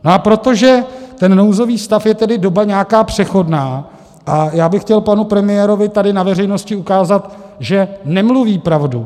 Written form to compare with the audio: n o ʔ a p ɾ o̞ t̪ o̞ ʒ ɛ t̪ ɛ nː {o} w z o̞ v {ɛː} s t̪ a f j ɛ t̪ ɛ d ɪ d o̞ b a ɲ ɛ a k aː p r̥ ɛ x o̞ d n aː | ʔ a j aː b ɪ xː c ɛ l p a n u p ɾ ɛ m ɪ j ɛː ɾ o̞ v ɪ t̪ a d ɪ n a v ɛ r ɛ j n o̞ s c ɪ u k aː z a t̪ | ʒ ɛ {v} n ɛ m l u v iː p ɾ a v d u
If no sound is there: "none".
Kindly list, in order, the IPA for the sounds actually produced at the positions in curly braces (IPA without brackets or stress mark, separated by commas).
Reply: o, iː, none